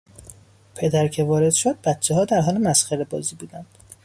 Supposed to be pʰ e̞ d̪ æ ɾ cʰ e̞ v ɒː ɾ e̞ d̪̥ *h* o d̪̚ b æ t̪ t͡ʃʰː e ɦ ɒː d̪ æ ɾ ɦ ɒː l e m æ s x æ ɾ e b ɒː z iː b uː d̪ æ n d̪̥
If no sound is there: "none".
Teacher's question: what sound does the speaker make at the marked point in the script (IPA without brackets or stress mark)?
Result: ʃ